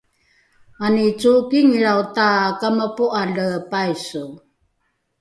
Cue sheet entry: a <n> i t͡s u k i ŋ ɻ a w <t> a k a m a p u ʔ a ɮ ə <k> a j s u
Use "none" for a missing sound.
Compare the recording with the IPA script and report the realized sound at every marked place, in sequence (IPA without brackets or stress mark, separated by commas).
n, t, p